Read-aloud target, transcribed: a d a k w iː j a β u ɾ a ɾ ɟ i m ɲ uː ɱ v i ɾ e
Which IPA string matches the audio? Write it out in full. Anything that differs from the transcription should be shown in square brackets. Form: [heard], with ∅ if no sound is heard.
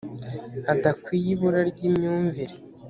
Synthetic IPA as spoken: a d a k w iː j [i] β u ɾ a ɾ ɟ i m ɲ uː ɱ v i ɾ e